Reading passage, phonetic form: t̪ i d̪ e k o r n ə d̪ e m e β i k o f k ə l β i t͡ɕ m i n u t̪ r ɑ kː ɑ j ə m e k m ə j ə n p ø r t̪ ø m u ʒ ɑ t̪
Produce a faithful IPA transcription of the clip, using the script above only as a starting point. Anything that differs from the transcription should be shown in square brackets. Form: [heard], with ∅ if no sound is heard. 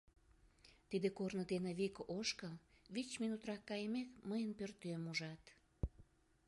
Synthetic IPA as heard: t̪ i d̪ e k o r n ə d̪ e [n] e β i k o [ʃ] k ə l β i t͡ɕ m i n u t̪ r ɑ kː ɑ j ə m e k m ə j ə n p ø r t̪ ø m u ʒ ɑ t̪